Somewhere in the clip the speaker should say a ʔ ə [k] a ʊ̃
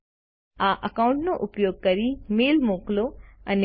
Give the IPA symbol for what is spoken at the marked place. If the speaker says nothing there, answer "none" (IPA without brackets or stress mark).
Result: k